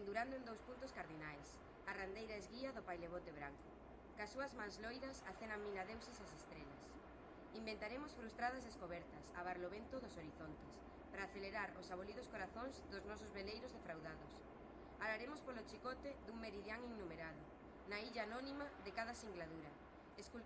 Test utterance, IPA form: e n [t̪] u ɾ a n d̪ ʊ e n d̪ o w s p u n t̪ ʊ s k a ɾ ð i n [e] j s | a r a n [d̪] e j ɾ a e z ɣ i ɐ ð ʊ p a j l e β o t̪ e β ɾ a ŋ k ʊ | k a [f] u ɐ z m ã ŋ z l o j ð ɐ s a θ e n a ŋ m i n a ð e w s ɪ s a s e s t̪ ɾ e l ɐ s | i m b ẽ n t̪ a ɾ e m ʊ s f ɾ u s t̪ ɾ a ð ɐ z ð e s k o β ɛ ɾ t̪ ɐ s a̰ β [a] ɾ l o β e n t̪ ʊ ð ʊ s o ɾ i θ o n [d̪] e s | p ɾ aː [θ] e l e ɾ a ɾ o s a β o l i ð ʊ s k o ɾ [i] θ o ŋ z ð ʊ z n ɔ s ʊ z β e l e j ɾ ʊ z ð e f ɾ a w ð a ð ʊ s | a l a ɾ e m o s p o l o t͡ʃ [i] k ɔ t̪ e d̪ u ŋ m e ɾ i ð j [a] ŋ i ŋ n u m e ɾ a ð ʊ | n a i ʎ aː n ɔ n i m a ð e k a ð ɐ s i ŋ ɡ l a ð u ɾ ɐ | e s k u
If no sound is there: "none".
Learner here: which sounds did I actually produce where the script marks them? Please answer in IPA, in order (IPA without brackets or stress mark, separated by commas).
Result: d̪, a, d̪, s, a, t̪, θ, a, i, a